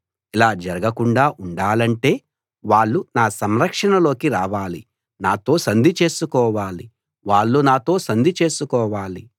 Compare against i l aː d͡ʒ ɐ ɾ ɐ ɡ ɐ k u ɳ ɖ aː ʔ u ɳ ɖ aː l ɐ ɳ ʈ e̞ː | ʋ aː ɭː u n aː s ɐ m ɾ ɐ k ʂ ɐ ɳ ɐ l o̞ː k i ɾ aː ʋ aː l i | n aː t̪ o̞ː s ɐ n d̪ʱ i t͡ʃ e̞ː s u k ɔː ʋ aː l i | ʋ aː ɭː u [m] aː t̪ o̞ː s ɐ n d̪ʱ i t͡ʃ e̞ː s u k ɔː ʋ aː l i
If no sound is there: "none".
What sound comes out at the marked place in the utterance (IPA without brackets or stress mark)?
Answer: n